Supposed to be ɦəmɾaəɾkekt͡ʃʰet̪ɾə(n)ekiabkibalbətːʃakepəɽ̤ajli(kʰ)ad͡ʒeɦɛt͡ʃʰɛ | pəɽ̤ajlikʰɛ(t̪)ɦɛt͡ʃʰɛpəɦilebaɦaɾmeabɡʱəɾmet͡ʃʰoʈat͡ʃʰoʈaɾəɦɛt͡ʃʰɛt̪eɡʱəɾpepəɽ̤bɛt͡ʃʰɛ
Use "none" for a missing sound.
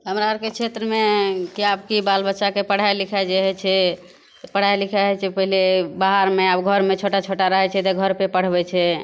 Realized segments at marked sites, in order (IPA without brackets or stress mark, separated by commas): m, kʰ, none